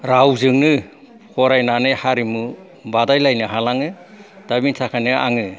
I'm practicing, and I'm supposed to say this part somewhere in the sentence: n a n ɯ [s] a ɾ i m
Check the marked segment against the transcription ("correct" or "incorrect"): incorrect